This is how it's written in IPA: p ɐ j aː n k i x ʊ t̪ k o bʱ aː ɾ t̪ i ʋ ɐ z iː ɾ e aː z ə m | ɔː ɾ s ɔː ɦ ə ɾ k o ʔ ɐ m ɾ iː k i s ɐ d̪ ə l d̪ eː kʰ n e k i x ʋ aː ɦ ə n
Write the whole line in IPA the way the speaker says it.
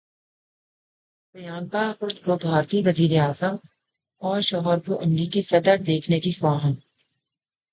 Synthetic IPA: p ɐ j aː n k a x ʊ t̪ k o bʱ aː ɾ t̪ i ʋ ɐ z iː ɾ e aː z ə m | ɔː ɾ ʃ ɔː ɦ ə ɾ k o ʔ ɐ m ɾ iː k i s ɐ d̪ ə ɾ d̪ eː kʰ n e k i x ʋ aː ɦ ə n